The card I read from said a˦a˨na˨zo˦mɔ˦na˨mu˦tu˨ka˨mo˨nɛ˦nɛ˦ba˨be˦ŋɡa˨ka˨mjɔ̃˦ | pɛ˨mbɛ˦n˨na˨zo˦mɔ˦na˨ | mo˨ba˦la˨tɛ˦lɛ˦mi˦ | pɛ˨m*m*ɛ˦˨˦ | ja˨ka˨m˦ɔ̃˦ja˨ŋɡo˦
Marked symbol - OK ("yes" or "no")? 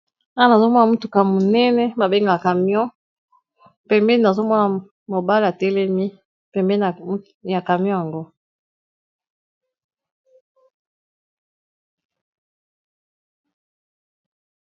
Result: no